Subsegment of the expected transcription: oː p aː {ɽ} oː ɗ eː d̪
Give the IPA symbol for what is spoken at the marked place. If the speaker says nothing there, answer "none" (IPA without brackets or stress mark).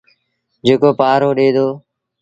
ɾ